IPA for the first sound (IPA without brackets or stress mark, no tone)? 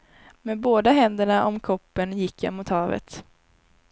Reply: m